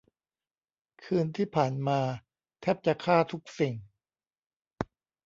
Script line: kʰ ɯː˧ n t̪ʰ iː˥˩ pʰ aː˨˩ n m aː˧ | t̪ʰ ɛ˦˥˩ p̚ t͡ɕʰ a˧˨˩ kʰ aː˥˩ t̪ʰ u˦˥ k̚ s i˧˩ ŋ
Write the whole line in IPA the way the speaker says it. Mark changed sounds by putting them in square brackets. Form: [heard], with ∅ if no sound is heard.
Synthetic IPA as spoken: kʰ ɯː˧ n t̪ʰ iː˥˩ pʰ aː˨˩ n m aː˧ | t̪ʰ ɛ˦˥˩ p̚ [t͡ɕ] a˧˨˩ kʰ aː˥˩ t̪ʰ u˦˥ k̚ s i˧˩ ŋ